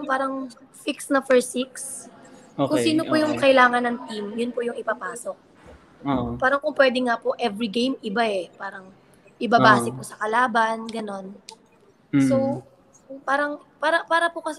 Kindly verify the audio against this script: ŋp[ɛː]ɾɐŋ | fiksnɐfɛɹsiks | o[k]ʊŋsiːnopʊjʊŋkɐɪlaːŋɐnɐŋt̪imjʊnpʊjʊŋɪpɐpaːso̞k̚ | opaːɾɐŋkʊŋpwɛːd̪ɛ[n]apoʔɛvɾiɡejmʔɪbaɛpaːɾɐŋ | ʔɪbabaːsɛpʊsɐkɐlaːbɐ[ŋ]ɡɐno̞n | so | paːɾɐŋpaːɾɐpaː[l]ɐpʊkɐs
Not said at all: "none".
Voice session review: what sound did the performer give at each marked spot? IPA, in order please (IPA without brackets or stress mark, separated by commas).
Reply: aː, k, ŋ, n, ɾ